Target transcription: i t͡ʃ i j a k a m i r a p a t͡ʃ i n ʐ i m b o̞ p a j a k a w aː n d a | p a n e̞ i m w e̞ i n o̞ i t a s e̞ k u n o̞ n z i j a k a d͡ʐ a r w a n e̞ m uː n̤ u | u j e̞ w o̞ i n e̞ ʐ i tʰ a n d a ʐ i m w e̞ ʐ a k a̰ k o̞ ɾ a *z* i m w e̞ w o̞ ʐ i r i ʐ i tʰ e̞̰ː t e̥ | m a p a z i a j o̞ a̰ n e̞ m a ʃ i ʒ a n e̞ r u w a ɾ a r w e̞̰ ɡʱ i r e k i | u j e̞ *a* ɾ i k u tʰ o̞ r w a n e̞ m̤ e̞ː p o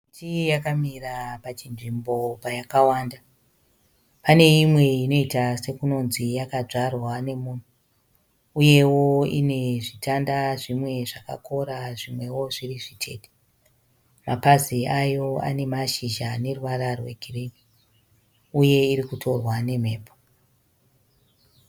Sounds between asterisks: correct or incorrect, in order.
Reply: incorrect: ʐ, incorrect: i

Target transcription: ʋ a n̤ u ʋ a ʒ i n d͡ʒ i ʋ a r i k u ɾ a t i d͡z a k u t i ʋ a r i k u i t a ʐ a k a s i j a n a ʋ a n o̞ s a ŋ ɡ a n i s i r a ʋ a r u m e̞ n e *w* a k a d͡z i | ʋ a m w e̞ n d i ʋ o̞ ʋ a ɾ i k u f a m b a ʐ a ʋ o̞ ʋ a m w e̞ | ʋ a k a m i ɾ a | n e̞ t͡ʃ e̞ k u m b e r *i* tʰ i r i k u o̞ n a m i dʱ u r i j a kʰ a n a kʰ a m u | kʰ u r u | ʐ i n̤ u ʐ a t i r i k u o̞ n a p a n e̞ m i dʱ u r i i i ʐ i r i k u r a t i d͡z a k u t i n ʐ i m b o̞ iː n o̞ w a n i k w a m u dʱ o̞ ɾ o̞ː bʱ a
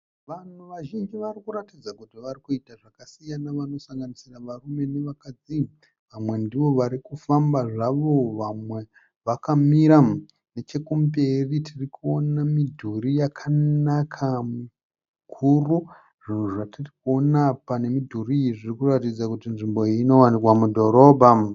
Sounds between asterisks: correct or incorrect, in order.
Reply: incorrect: ʋ, correct

